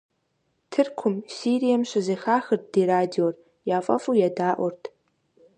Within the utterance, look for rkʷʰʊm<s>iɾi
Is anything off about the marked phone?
no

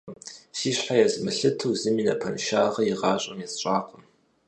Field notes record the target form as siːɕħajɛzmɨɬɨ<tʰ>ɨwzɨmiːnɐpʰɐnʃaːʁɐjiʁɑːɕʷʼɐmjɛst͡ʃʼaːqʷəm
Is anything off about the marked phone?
no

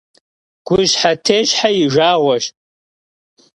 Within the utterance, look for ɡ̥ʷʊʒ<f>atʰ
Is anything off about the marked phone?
yes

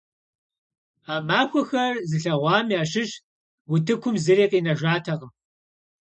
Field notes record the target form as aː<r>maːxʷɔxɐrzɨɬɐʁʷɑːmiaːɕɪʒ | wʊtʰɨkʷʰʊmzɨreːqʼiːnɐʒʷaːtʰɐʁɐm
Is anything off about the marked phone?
yes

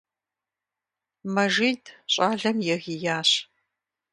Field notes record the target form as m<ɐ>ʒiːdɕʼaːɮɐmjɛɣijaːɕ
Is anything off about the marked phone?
no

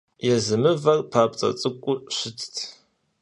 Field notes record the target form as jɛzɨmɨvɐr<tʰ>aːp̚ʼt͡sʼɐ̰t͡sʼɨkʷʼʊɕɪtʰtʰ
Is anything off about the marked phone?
yes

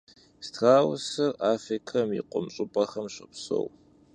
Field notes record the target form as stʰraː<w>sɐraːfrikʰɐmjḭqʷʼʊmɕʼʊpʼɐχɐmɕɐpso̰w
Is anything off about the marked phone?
no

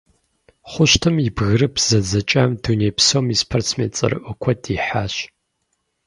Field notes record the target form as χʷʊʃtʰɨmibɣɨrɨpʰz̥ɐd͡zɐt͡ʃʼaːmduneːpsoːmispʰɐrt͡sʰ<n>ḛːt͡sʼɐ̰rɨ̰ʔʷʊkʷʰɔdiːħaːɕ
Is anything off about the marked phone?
yes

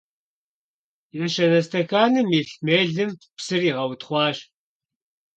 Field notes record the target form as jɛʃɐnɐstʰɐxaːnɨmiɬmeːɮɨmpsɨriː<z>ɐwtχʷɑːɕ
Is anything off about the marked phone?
yes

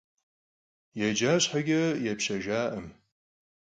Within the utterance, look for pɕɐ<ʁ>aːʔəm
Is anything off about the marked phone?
yes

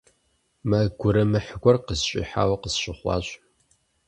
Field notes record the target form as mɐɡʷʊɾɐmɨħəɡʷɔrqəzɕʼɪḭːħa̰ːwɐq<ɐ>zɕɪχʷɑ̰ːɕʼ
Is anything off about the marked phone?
yes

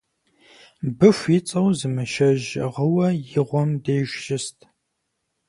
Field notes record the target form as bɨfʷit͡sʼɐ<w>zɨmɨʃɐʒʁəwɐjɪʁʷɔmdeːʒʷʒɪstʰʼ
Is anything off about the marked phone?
no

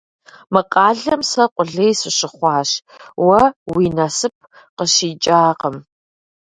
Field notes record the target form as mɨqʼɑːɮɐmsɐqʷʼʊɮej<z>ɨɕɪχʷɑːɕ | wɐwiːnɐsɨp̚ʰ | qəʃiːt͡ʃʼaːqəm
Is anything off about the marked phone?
yes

